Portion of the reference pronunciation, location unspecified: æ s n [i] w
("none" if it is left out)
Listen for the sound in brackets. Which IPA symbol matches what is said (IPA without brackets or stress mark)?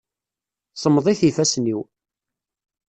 i